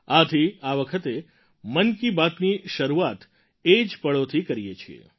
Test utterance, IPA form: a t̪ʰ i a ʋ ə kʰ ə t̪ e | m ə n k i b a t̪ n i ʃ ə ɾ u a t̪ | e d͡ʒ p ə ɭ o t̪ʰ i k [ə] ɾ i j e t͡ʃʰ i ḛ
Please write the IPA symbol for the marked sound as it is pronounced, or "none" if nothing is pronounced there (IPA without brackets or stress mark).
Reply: ə